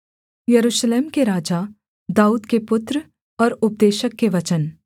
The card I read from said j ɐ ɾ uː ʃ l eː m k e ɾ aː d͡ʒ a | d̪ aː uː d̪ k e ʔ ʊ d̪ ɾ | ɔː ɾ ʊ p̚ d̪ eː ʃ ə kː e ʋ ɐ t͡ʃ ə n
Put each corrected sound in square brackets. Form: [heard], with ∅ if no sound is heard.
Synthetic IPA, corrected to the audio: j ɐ ɾ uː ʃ l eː m k e ɾ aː d͡ʒ a | d̪ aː uː d̪ k e [p] ʊ [t̪] ɾ | ɔː ɾ ʊ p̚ d̪ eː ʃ ə kː e ʋ ɐ t͡ʃ ə n

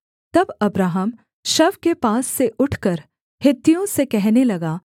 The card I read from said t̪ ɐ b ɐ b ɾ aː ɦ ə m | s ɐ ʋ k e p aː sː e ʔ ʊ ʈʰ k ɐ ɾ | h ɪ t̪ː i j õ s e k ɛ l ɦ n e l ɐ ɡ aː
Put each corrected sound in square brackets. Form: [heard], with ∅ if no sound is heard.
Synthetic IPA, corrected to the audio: t̪ ɐ b ɐ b ɾ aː ɦ ə m | [ʃ] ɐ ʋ k e p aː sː e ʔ ʊ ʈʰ k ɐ ɾ | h ɪ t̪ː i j õ s e k ɛ [∅] ɦ n e l ɐ ɡ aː

